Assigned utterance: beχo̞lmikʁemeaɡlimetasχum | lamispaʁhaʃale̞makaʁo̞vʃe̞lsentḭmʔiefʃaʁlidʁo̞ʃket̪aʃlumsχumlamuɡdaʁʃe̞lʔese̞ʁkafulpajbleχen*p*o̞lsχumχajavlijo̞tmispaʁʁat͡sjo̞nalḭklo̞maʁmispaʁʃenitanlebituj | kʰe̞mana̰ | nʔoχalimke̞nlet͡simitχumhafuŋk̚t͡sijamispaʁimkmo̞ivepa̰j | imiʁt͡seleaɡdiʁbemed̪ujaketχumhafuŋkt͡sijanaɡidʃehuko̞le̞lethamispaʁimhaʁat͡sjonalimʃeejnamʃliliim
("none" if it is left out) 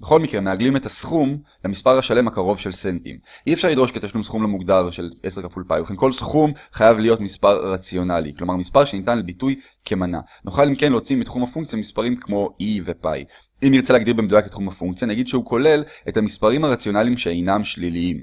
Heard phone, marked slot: k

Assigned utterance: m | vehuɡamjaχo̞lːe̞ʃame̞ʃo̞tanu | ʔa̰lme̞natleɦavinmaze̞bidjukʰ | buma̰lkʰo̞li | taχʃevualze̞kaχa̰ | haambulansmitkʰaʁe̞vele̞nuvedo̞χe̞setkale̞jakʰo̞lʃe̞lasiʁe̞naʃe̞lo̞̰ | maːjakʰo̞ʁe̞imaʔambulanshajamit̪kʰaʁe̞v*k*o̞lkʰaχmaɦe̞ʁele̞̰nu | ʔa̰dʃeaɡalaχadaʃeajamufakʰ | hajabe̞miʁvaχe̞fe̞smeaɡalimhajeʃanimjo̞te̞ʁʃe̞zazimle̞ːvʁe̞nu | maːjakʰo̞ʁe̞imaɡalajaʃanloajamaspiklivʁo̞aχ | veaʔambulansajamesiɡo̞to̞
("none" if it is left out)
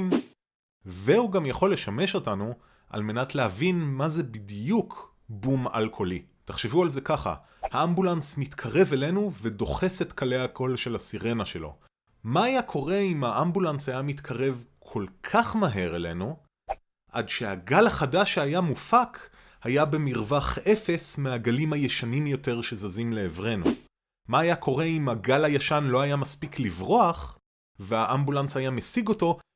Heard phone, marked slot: kʰ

